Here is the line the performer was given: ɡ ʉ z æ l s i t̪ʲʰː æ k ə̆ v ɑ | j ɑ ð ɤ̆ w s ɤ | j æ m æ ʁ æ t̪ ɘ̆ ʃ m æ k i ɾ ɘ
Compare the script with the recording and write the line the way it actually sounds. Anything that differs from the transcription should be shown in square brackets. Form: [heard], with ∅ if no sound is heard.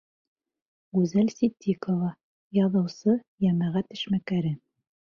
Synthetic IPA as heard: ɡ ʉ z æ l s i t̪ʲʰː [i] k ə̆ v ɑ | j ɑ ð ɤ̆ w s ɤ | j æ m æ ʁ æ t̪ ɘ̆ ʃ m æ k [æ] ɾ ɘ